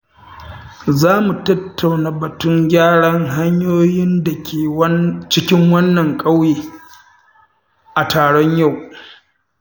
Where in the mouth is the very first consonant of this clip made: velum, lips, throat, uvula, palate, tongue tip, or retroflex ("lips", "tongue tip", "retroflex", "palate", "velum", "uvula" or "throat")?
tongue tip